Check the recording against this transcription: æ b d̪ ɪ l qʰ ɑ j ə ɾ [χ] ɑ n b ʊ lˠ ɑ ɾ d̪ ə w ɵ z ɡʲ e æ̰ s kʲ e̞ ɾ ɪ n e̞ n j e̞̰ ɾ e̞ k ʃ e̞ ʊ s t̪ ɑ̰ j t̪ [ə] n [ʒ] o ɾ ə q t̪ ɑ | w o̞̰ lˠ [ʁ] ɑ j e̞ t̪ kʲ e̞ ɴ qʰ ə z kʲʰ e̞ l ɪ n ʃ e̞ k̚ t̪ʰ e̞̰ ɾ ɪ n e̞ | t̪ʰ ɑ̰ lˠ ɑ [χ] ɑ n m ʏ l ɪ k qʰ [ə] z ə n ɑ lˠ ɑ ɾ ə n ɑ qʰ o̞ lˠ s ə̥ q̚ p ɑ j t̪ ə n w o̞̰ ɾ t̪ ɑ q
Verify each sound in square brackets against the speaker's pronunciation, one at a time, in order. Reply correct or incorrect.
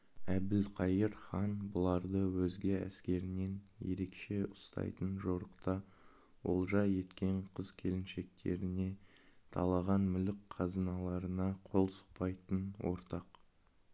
correct, correct, correct, incorrect: ʒ, incorrect: ʁ, incorrect: ɑ

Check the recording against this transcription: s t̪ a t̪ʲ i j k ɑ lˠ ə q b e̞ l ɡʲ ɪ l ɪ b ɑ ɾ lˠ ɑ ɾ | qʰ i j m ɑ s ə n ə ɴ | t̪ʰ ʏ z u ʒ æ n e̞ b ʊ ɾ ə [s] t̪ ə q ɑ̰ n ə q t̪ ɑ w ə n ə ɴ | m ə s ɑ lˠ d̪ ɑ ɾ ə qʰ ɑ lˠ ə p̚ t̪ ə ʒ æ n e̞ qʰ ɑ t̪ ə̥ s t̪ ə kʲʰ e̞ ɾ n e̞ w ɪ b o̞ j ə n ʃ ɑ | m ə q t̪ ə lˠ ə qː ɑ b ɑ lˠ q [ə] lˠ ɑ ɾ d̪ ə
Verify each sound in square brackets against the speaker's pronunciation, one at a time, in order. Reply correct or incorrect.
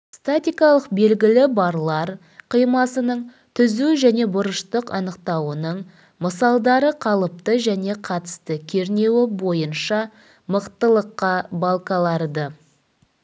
incorrect: ʃ, incorrect: ɑ

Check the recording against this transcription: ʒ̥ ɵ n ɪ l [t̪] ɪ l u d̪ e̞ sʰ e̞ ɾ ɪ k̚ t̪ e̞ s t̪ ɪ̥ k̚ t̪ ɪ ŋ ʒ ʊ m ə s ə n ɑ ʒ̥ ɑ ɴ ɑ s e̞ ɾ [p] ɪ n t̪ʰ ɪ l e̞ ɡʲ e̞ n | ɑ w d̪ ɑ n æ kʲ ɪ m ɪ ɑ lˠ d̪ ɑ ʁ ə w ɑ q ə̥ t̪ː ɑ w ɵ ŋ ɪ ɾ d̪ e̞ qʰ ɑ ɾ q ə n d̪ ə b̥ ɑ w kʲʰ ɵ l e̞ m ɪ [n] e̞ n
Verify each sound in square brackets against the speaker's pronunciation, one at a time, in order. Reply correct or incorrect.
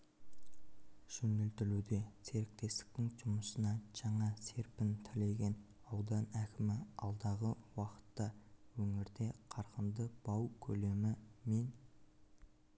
correct, correct, incorrect: m

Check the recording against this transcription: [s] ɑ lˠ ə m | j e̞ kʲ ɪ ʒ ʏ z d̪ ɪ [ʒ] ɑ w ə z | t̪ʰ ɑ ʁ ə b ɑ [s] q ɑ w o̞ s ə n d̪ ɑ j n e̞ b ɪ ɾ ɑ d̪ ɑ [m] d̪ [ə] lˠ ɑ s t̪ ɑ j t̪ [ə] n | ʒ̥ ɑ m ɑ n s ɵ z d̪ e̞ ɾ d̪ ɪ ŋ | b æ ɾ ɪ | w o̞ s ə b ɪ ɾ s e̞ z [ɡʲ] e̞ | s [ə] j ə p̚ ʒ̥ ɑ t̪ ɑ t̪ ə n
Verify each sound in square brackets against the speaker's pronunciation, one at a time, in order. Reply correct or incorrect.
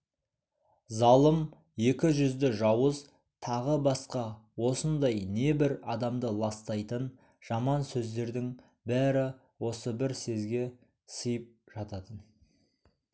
incorrect: z, correct, correct, correct, correct, correct, correct, correct

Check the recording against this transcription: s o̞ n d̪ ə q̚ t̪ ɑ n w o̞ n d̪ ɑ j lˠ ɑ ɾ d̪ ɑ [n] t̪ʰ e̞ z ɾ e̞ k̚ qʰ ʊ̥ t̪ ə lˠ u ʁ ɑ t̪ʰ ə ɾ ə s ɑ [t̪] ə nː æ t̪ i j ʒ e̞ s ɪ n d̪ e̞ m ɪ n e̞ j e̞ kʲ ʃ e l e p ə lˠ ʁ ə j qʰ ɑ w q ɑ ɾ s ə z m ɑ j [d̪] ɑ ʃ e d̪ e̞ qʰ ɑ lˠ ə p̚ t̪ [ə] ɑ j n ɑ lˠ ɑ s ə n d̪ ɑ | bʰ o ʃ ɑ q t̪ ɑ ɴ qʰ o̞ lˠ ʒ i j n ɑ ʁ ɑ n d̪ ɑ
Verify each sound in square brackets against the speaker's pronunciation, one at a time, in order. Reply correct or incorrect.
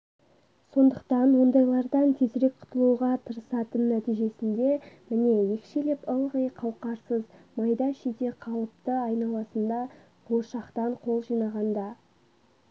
correct, correct, correct, correct

